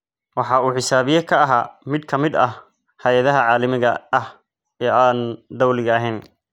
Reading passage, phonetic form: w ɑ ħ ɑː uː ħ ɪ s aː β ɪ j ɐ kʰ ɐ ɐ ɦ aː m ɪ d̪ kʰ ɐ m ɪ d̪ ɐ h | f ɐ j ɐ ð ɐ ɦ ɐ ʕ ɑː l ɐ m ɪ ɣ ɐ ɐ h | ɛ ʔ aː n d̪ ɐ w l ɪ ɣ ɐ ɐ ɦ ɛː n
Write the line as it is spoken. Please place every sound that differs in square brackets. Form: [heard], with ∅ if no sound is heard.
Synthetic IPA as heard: w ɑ ħ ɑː uː ħ ɪ s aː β ɪ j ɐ kʰ ɐ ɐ ɦ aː m ɪ d̪ kʰ ɐ m ɪ d̪ ɐ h | [h] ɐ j ɐ ð ɐ ɦ ɐ ʕ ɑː l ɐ m ɪ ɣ ɐ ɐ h | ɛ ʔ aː n d̪ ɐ w l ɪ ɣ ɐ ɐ ɦ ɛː n